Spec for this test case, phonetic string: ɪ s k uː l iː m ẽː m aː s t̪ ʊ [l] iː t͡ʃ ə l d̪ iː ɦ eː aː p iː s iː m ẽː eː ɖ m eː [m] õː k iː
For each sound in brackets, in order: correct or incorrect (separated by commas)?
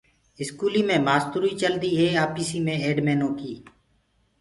incorrect, incorrect